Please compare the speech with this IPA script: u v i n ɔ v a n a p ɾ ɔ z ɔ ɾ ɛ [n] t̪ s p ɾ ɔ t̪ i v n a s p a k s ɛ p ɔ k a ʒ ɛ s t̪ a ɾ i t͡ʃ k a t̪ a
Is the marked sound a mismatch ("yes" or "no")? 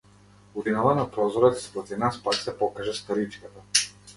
yes